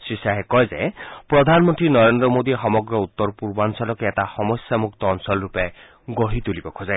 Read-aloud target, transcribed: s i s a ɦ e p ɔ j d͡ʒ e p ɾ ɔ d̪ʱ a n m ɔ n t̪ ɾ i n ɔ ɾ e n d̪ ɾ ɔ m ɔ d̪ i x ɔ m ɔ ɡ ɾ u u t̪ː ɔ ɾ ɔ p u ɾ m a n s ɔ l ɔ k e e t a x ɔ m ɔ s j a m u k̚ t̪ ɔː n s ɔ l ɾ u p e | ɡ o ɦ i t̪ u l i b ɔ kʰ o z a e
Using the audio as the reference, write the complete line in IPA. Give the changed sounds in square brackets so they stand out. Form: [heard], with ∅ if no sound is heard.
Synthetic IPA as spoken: s i s a ɦ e [k] ɔ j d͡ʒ e p ɾ ɔ d̪ʱ a n m ɔ n t̪ ɾ i n ɔ ɾ e n d̪ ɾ ɔ m [o] d̪ i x ɔ m ɔ ɡ ɾ [ɔ] u t̪ː ɔ ɾ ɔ p u ɾ [b] a n s ɔ l ɔ k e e t a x ɔ m ɔ s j a m u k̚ t̪ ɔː n s ɔ l ɾ u p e | ɡ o ɦ i t̪ u l i b ɔ kʰ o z a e